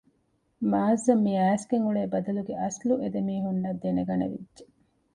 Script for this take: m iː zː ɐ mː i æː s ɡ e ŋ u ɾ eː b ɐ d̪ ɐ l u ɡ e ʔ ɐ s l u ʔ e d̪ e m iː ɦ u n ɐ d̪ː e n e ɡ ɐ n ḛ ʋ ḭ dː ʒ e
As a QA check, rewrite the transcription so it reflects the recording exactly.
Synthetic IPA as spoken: m aː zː ɐ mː i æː s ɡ e ŋ u ɭ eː b ɐ d̪ ɐ l u ɡ e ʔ ɐ s l u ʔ e d̪ e m iː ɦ u nː ɐ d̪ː e n e ɡ ɐ n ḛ ʋ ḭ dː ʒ e